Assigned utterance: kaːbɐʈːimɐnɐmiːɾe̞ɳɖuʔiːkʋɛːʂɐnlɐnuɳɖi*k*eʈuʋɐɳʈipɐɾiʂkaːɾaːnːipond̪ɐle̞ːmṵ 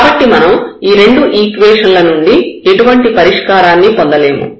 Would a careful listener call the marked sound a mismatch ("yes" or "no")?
yes